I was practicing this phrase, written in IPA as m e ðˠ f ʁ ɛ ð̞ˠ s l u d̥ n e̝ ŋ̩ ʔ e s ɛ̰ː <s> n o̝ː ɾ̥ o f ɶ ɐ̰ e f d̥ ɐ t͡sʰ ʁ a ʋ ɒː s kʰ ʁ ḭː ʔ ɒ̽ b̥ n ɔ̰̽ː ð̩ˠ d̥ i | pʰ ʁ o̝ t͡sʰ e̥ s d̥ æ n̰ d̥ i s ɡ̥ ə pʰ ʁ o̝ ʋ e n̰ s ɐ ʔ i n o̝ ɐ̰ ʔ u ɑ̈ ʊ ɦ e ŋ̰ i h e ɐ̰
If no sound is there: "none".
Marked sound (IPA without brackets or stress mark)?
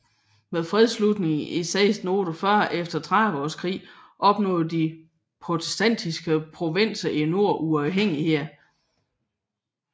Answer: s